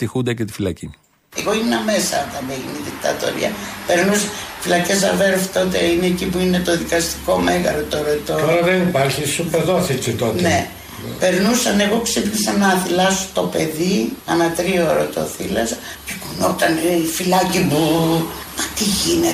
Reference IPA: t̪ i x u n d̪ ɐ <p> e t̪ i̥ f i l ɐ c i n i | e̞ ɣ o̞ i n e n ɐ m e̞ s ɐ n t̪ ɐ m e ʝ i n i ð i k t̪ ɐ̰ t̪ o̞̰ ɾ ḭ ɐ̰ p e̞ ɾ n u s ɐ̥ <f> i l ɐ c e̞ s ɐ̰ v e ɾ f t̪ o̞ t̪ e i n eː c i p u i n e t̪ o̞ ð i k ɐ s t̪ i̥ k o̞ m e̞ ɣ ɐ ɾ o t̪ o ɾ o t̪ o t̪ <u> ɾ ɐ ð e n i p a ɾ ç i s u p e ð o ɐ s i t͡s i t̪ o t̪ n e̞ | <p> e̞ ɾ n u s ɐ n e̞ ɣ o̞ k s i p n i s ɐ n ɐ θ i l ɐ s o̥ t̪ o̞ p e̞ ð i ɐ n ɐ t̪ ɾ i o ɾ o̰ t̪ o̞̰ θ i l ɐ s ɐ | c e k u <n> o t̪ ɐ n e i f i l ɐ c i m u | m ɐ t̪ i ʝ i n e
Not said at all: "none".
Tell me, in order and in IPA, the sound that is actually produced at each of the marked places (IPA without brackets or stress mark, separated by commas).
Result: c, f, o, p, n